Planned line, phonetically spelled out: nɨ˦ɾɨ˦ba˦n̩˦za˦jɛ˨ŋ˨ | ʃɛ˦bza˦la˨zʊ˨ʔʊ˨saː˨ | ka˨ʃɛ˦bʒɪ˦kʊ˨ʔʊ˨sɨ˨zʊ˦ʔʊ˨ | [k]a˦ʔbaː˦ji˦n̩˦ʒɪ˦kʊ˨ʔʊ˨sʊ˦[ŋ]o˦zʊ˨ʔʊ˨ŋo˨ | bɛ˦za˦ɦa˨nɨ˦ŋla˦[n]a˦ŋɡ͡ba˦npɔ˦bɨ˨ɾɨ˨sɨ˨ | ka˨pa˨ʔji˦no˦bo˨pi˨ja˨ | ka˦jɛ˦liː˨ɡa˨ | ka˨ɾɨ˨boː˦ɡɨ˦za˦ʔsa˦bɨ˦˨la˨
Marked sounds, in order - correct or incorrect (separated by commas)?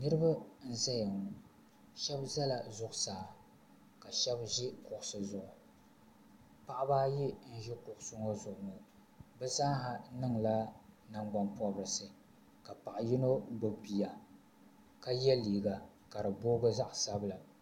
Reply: incorrect, correct, correct